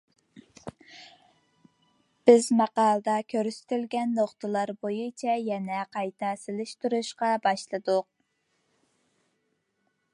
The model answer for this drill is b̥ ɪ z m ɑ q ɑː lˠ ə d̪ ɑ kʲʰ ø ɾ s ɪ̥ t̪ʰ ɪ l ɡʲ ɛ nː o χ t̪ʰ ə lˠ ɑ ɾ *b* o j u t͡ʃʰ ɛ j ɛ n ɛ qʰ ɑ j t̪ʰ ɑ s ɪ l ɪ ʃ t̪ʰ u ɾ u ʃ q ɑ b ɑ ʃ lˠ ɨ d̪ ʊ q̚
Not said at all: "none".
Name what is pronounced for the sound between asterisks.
b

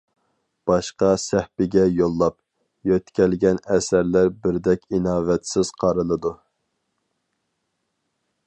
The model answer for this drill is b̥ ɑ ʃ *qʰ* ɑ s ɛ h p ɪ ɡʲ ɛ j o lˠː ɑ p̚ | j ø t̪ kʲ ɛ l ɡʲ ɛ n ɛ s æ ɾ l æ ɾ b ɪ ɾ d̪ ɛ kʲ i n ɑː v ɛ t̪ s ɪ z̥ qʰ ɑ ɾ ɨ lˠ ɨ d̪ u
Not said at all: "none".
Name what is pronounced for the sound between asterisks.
q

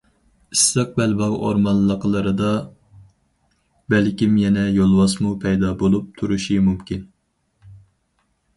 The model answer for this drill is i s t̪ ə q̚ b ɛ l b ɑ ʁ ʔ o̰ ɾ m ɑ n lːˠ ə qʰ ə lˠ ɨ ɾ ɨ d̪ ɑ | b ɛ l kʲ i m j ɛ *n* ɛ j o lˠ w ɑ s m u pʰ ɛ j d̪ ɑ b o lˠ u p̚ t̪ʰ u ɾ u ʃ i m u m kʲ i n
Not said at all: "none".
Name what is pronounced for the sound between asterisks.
n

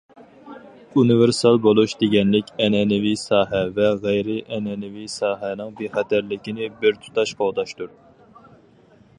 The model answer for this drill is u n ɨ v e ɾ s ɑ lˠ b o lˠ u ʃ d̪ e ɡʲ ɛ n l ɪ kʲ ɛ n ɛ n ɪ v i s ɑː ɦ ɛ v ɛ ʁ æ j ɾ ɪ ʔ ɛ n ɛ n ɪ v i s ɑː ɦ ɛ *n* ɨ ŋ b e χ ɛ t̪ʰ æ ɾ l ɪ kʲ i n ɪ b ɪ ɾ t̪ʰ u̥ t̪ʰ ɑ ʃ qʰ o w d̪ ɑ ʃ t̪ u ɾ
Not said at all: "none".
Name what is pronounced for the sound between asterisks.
n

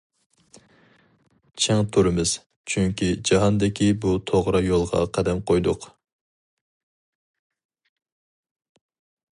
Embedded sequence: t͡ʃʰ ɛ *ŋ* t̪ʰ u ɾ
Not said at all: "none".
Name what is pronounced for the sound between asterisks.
ŋ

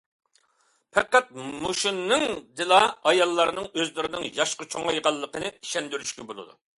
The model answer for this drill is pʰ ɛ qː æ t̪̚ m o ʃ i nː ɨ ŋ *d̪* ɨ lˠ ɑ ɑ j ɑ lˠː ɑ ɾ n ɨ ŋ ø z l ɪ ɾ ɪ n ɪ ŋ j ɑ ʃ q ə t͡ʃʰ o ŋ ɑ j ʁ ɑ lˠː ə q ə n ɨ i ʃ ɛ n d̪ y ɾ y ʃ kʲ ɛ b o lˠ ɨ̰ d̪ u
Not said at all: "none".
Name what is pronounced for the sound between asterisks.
d̪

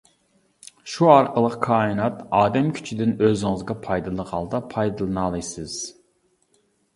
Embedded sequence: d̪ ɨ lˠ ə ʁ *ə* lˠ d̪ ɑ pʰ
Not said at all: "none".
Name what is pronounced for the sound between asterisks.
ɑ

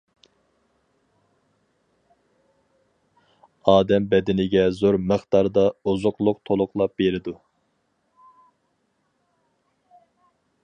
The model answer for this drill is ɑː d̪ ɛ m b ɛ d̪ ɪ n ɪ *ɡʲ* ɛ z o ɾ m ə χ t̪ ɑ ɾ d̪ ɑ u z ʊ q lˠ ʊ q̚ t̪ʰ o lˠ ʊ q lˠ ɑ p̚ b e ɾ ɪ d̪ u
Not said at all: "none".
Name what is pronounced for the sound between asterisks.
ɡʲ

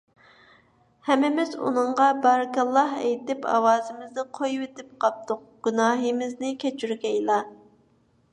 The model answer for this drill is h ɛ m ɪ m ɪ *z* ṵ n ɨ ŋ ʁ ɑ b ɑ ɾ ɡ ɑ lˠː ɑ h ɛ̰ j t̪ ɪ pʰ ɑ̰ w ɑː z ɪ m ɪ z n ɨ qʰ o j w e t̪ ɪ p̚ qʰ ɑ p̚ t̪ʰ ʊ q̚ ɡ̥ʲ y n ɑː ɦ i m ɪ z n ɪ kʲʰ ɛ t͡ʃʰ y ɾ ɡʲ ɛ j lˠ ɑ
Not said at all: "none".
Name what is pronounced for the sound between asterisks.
z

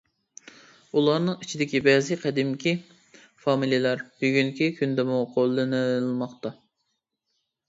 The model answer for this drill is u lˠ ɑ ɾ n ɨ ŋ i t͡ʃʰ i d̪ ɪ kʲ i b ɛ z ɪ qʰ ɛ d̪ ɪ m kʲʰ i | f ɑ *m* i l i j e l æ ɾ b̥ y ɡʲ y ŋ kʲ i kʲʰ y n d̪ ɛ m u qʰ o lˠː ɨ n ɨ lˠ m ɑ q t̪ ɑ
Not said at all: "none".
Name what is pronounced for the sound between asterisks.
m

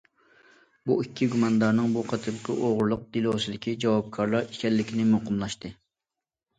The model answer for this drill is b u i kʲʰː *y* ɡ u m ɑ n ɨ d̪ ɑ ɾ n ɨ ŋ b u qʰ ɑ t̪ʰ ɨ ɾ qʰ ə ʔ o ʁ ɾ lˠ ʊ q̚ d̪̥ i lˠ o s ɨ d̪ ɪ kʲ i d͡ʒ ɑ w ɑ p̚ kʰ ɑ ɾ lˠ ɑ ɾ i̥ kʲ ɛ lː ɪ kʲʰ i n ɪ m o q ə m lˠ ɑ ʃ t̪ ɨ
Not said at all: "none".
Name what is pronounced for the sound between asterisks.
i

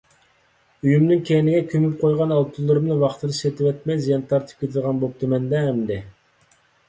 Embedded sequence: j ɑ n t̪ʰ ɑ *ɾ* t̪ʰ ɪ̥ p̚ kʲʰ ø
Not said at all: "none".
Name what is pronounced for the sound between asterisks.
ɾ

